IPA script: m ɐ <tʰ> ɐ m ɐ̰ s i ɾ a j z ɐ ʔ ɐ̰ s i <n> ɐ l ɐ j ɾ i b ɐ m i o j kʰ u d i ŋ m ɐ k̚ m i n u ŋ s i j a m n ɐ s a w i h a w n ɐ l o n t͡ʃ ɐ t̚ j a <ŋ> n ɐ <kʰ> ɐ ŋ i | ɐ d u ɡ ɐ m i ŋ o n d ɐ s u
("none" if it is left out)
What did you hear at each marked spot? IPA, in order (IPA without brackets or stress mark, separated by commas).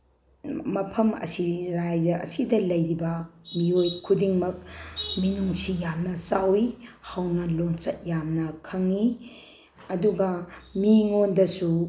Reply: pʰ, d, m, kʰ